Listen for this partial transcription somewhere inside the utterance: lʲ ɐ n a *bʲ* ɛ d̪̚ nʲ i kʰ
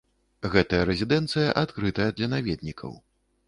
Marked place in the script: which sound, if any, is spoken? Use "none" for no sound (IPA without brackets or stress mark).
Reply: vʲ